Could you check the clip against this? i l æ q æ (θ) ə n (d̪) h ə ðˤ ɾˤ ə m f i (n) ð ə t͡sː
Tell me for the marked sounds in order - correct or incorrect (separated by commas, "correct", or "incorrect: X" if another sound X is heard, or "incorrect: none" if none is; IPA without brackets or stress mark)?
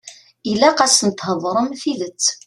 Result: incorrect: s, incorrect: t̪, incorrect: none